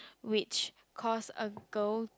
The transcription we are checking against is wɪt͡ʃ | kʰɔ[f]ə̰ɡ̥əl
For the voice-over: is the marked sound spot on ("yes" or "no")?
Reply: no